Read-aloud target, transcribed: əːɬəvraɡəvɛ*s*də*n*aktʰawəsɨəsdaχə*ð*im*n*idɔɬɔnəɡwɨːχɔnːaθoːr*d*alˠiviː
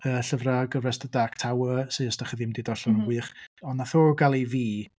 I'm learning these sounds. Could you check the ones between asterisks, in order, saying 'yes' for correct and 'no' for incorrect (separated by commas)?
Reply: yes, no, yes, no, no